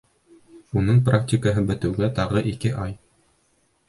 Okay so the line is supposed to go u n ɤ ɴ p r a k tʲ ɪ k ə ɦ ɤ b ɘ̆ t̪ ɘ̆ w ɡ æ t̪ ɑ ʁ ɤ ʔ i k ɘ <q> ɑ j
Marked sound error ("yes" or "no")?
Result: yes